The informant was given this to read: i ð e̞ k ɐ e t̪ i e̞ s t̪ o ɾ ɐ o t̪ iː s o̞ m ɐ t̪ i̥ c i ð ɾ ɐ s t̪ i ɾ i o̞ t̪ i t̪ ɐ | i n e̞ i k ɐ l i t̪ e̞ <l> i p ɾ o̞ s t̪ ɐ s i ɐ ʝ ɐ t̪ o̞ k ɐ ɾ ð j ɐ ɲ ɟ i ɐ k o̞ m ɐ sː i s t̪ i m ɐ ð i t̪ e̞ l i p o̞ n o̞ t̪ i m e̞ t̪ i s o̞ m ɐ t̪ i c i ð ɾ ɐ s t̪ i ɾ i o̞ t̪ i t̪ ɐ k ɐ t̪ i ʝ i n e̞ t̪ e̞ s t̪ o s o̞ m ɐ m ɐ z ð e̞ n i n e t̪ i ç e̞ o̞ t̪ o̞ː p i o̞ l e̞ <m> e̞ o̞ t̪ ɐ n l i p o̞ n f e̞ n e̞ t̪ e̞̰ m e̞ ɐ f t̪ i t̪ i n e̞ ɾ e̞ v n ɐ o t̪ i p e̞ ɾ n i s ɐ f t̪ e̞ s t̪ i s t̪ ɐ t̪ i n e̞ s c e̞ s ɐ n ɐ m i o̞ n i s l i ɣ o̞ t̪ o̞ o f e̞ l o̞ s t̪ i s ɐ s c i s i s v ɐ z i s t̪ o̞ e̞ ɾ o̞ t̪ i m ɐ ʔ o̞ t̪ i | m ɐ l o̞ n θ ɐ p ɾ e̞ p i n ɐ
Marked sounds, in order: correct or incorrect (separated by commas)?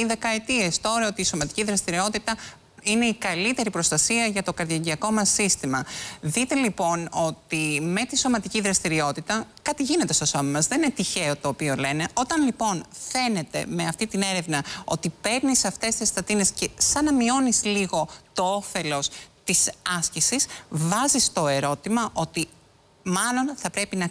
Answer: incorrect, incorrect